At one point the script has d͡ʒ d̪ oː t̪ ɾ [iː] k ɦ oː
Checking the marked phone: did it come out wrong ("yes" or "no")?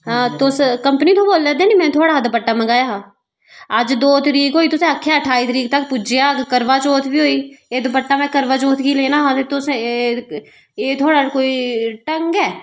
no